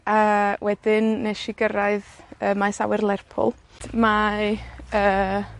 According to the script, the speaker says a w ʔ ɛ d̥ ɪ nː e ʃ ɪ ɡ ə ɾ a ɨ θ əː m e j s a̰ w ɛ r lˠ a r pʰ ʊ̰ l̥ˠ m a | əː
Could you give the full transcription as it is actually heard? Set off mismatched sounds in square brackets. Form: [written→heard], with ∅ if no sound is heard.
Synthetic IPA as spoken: a w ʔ ɛ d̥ ɪ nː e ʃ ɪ ɡ ə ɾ a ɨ [θ→ð] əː m [e→a] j s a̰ w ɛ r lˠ [a→ɛ] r pʰ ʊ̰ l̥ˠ m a | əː